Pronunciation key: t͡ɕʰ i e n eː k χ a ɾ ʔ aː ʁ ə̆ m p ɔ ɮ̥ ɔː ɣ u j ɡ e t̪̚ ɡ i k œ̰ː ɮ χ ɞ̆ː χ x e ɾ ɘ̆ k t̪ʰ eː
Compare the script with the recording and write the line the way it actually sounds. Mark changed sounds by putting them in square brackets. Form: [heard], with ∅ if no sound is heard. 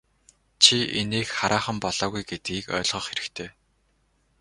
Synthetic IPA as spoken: t͡ɕʰ i e n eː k χ a ɾ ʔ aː [χ] ə̆ m p ɔ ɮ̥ ɔː ɣ u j ɡ e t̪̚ ɡ [iː] k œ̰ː ɮ [ʁ] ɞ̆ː χ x e ɾ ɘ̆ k t̪ʰ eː